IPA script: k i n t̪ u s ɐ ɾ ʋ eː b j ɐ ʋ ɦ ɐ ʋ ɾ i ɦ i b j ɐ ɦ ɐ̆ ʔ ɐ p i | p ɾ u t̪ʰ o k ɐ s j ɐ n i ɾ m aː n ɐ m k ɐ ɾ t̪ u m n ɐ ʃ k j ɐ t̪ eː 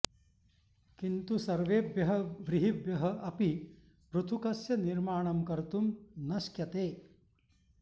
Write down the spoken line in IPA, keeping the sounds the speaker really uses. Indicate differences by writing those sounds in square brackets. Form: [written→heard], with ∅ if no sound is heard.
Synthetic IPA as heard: k i n t̪ u s ɐ ɾ ʋ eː b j ɐ [ʋ→∅] ɦ ɐ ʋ ɾ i ɦ i b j ɐ ɦ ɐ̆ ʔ ɐ p i | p ɾ u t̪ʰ [o→u] k ɐ s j ɐ n i ɾ m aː [n→ɳ] ɐ m k ɐ ɾ t̪ u m n ɐ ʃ k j ɐ t̪ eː